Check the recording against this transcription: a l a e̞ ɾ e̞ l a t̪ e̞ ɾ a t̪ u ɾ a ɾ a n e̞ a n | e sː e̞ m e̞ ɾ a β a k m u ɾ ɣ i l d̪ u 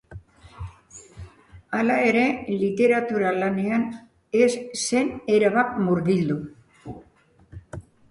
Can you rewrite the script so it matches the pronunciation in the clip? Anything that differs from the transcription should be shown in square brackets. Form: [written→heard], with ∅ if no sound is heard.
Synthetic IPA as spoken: a l a e̞ ɾ e̞ l [a→i] t̪ e̞ ɾ a t̪ u ɾ a [ɾ→l] a n e̞ a n | e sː e̞ [m→n] e̞ ɾ a β a k m u ɾ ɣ i l d̪ u